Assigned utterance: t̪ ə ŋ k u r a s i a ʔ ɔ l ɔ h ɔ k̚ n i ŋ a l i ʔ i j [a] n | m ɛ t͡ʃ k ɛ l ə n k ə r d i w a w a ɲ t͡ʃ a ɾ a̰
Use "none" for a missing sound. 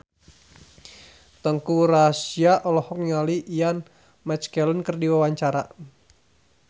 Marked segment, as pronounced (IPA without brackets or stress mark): a